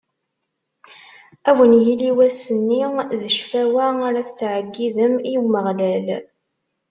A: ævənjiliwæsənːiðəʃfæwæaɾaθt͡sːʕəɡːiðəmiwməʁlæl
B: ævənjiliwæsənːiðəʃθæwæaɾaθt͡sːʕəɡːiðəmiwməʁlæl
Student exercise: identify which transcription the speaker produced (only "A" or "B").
A